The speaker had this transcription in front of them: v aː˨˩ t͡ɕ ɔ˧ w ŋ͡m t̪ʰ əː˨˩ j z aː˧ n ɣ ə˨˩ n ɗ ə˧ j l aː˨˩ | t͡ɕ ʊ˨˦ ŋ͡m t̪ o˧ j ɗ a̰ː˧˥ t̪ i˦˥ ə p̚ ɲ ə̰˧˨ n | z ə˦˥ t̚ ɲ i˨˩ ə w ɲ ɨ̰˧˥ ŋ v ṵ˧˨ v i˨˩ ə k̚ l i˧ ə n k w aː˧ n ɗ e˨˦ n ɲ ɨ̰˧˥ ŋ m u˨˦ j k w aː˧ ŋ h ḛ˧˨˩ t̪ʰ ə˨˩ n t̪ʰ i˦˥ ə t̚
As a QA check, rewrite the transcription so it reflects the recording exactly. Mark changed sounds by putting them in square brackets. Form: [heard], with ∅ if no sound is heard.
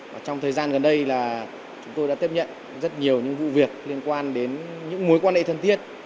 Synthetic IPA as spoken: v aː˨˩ t͡ɕ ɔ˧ w ŋ͡m t̪ʰ əː˨˩ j z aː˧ n ɣ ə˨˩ n ɗ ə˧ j l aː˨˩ | t͡ɕ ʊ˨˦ ŋ͡m t̪ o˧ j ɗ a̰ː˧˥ t̪ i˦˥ ə p̚ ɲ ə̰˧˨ n | z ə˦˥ t̚ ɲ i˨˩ ə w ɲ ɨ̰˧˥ ŋ v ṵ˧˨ v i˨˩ ə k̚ l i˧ ə n k w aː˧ n ɗ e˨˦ n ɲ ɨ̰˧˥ ŋ m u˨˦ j k w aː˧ [n] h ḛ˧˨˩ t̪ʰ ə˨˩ n [t̪] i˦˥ ə t̚

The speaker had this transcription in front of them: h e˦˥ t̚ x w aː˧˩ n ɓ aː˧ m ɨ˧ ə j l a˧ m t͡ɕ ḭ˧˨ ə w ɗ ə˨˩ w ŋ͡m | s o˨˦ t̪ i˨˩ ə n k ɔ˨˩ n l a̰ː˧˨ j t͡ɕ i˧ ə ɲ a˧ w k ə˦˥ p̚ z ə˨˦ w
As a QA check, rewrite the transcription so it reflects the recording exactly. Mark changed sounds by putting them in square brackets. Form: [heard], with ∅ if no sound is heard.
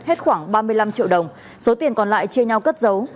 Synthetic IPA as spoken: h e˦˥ t̚ x w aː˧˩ [ŋ] ɓ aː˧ m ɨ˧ ə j l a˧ m t͡ɕ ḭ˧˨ ə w ɗ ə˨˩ w ŋ͡m | s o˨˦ t̪ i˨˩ ə n k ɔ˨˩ n l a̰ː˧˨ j t͡ɕ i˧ ə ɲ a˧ w k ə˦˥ [t̚] z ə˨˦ w

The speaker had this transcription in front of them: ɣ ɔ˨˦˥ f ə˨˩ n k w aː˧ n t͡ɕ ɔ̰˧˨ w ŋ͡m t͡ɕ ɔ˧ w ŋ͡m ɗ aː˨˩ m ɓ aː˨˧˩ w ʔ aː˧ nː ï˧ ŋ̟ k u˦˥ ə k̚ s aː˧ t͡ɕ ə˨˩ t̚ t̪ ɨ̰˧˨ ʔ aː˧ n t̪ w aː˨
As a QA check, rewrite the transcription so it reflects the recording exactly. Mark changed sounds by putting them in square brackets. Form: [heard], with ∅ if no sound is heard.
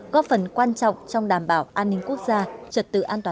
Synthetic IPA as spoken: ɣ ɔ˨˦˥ f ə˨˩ n k w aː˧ n t͡ɕ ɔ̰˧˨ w ŋ͡m t͡ɕ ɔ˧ w ŋ͡m ɗ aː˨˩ m ɓ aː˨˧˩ w ʔ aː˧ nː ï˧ ŋ̟ k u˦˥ ə k̚ [z] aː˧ t͡ɕ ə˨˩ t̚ t̪ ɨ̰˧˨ ʔ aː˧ n t̪ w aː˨

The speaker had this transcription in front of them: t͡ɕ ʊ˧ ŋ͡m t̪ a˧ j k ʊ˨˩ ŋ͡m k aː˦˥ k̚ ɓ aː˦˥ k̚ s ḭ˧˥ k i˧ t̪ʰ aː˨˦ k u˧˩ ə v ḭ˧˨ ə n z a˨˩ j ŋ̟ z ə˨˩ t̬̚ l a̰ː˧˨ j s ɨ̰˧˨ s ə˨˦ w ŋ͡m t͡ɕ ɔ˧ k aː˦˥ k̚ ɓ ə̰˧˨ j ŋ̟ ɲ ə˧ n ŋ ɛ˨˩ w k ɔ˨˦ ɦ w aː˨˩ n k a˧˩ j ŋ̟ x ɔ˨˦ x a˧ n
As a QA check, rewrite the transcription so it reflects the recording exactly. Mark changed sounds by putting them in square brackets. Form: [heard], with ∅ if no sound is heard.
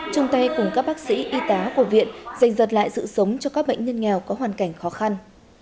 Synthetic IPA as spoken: t͡ɕ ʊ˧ ŋ͡m t̪ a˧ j k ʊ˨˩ ŋ͡m k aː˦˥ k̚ ɓ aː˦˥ k̚ s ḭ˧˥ [ʔ] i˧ [t̪] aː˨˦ k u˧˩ ə v ḭ˧˨ ə n z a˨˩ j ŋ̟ z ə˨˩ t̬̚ l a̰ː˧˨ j s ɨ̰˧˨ s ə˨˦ w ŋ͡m t͡ɕ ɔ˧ k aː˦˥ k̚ ɓ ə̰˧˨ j ŋ̟ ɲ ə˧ n ŋ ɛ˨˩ w k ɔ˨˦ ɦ w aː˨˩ n k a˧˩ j ŋ̟ x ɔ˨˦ x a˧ n

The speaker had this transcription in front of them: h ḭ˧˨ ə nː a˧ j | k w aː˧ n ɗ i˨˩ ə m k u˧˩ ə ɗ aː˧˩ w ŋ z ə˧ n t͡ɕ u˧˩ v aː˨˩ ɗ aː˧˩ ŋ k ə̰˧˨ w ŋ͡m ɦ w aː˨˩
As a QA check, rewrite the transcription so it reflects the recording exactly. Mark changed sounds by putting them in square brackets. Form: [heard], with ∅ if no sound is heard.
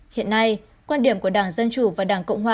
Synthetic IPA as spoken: h ḭ˧˨ ə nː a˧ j | k w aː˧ n ɗ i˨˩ ə m k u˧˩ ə ɗ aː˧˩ [∅] ŋ z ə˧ n t͡ɕ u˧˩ v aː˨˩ ɗ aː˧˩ ŋ k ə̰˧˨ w ŋ͡m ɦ w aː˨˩

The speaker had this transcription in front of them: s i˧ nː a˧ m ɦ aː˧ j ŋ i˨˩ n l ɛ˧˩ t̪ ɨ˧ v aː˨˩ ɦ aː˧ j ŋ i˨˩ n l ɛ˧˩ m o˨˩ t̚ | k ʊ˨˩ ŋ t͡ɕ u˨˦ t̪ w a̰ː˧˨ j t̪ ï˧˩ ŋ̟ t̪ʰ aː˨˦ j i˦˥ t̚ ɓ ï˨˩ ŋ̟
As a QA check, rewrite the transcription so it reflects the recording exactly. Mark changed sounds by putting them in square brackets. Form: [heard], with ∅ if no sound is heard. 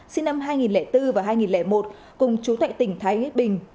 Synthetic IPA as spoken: s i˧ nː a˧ m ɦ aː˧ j ŋ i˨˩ n l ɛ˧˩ t̪ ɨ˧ v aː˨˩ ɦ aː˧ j ŋ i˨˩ n l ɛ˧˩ m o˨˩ t̚ | k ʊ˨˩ [ŋ͡m] t͡ɕ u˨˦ t̪ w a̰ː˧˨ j t̪ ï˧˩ ŋ̟ t̪ʰ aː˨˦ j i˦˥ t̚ ɓ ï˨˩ ŋ̟

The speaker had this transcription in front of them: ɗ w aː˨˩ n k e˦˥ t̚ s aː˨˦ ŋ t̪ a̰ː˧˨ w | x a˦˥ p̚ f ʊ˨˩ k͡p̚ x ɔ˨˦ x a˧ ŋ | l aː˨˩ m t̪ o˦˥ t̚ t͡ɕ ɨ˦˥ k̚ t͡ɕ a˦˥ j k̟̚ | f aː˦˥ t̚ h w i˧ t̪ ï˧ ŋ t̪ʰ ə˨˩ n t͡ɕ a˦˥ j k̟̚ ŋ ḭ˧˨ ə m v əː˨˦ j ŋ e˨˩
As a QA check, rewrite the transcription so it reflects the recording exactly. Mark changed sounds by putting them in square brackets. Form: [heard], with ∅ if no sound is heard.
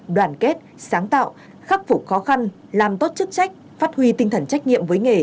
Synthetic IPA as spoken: ɗ w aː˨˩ n k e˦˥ t̚ s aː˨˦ ŋ t̪ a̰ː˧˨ w | x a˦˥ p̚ f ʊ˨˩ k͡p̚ x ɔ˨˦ x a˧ [n] | l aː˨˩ m t̪ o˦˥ t̚ t͡ɕ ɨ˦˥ k̚ t͡ɕ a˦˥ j k̟̚ | f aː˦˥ t̚ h w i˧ t̪ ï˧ ŋ t̪ʰ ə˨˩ n t͡ɕ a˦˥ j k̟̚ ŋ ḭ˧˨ ə m v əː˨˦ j ŋ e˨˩

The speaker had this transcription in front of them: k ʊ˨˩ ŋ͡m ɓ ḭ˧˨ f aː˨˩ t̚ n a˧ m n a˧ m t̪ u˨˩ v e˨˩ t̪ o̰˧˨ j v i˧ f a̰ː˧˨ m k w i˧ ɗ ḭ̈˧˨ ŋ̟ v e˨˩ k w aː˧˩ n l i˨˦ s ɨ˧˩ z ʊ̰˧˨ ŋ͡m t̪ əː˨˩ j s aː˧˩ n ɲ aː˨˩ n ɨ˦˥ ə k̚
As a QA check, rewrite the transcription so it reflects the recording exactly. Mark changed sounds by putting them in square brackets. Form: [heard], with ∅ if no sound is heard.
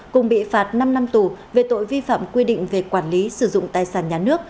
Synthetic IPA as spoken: k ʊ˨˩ ŋ͡m ɓ ḭ˧˨ f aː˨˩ t̚ n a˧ m n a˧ m t̪ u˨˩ v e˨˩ t̪ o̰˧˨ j v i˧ f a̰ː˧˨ m k w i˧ ɗ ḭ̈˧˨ ŋ̟ v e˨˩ k w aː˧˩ n l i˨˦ s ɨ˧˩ z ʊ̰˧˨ ŋ͡m t̪ [aː˨˩] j s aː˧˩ n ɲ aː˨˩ n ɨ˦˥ ə k̚

